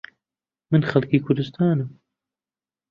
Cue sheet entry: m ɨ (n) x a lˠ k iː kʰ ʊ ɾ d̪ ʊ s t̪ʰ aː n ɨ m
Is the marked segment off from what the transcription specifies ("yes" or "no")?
no